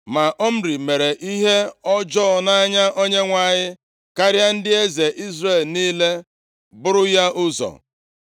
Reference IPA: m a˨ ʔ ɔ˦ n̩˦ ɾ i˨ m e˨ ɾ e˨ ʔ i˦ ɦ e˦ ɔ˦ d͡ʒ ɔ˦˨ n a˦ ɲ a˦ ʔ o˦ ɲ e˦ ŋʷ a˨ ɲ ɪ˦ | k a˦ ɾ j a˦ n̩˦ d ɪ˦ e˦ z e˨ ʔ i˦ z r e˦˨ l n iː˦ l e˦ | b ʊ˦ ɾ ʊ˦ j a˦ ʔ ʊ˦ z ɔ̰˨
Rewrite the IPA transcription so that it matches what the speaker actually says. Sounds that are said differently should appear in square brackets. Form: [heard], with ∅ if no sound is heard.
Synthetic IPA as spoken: m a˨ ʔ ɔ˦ [m̩˦] ɾ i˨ m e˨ ɾ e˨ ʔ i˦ ɦ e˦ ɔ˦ d͡ʒ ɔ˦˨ n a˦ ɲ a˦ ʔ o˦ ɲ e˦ ŋʷ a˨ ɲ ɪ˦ | k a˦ ɾ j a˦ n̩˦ d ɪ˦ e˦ z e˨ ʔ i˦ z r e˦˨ l n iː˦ l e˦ | b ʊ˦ ɾ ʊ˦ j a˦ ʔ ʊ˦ z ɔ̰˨